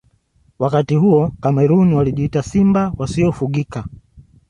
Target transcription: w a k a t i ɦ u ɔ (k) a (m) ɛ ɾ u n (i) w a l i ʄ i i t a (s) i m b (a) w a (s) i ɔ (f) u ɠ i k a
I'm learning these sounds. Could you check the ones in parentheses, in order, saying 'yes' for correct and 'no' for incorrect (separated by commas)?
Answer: yes, yes, yes, yes, yes, yes, yes